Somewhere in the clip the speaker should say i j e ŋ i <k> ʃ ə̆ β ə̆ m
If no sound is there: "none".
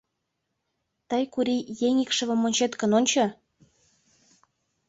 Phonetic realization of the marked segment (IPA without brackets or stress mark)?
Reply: k